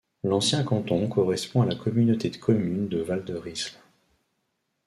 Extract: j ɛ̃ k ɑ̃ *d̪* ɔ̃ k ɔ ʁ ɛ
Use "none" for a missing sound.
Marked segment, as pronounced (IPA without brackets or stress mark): t̪